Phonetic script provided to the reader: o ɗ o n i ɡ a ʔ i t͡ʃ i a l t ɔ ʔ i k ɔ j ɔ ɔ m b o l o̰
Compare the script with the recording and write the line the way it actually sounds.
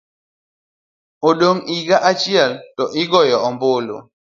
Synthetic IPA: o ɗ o ŋ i ɡ a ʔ a t͡ʃ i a l t ɔ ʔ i ɡ ɔ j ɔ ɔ m b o l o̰